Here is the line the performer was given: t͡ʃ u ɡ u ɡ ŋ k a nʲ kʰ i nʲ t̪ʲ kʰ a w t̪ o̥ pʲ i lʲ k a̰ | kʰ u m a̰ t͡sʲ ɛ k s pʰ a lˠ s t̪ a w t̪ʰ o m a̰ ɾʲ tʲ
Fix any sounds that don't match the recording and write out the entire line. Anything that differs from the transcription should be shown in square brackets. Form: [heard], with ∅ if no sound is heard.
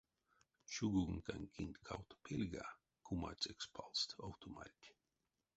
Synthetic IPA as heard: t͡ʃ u ɡ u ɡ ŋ k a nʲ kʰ i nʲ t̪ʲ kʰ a w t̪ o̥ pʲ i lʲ [ɡ] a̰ | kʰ u m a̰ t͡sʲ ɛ k s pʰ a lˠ s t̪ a w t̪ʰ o m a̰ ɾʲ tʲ